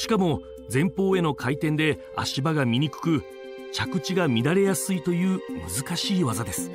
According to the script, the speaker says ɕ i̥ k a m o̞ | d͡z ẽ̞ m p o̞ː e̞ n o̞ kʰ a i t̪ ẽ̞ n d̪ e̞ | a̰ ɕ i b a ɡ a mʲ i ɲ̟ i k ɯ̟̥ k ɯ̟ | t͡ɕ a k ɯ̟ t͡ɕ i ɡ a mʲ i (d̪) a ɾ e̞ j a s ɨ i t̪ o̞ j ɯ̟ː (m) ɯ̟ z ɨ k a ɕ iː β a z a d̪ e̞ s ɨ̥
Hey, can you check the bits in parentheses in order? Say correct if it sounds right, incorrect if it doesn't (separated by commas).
correct, correct